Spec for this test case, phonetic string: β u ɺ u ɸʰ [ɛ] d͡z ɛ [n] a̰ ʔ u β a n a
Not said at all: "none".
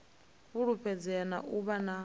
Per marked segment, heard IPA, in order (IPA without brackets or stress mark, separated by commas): ɛ, n